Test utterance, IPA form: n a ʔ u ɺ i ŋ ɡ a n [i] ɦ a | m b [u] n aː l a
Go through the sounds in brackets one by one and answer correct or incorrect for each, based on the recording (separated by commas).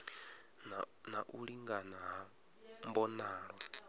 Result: incorrect, incorrect